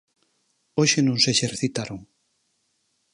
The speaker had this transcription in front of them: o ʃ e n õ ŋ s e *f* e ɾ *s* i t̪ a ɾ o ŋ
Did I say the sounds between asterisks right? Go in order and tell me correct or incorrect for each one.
incorrect: ʃ, incorrect: θ

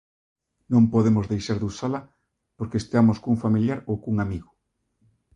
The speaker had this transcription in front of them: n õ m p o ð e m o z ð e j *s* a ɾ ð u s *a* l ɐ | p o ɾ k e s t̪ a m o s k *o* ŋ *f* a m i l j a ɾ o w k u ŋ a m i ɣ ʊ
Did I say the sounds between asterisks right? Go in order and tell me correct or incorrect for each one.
incorrect: ʃ, correct, incorrect: u, correct

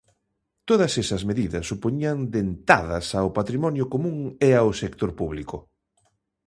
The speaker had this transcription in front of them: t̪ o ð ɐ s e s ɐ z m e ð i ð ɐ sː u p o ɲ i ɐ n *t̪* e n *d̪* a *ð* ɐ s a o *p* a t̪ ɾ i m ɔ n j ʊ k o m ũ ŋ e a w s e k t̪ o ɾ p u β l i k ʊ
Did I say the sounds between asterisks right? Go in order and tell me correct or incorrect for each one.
incorrect: d̪, incorrect: t̪, correct, correct

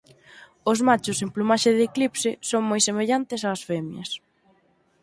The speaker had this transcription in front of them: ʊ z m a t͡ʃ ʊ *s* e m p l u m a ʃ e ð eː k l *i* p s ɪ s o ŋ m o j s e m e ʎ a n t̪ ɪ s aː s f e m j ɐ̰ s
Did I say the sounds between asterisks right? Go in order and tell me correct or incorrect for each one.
correct, correct

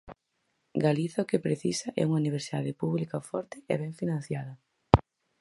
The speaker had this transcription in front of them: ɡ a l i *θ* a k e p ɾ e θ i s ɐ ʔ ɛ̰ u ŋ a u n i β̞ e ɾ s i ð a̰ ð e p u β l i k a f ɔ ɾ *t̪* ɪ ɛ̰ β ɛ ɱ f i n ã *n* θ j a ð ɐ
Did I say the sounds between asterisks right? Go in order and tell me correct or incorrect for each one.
correct, correct, correct

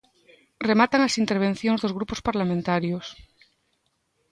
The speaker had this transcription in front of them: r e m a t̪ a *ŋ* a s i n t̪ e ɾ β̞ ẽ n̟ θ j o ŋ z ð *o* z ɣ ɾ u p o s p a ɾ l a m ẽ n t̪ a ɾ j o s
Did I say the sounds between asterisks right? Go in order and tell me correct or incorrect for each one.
correct, correct

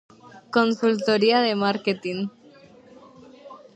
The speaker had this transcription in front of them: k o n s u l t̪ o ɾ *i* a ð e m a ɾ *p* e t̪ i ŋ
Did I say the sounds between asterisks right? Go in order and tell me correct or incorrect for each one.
correct, incorrect: k

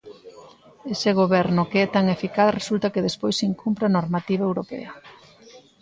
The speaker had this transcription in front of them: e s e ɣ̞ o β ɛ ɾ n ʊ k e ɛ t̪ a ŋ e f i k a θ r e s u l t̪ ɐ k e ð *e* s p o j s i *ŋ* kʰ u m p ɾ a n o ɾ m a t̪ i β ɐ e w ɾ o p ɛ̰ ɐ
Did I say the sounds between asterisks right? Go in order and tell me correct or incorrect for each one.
correct, correct

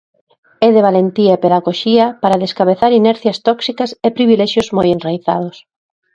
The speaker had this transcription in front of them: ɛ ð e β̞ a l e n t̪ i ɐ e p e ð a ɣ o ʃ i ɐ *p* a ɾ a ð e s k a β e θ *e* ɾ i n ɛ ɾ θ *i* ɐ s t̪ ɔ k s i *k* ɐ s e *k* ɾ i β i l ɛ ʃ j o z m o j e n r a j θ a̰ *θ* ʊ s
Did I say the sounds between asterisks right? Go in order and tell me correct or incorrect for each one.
correct, incorrect: a, incorrect: j, correct, incorrect: p, incorrect: ð

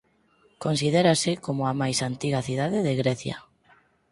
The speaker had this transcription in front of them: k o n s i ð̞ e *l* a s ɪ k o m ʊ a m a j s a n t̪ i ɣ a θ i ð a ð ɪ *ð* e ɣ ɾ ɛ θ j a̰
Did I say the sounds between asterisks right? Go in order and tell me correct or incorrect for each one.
incorrect: ɾ, correct

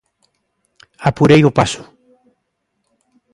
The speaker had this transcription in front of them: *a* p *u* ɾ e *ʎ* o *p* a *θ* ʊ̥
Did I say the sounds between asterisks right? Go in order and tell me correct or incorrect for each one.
correct, correct, incorrect: j, correct, incorrect: s

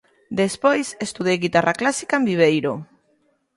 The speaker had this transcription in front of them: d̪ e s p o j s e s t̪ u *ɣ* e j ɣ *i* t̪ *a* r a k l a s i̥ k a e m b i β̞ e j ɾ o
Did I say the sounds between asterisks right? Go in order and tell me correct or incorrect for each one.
incorrect: ð, correct, correct

